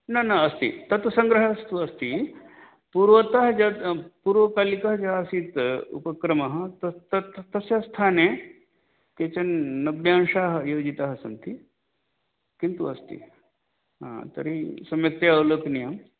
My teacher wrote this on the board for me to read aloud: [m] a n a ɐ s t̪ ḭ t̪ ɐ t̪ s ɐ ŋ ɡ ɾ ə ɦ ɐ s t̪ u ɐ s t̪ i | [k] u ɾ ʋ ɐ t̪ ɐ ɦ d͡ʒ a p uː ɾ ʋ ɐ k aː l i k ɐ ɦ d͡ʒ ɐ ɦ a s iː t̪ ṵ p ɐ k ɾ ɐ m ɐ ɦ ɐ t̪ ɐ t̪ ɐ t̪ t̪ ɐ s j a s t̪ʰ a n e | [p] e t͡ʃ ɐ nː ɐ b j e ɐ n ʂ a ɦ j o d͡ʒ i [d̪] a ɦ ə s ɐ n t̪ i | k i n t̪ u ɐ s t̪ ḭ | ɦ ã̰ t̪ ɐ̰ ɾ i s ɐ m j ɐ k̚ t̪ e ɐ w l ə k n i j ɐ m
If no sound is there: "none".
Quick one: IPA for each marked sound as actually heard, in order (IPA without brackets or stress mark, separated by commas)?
n, p, k, t̪